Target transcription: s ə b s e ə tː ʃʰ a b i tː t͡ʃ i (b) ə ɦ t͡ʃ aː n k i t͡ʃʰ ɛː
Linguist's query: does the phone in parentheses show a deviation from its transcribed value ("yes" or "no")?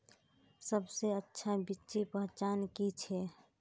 yes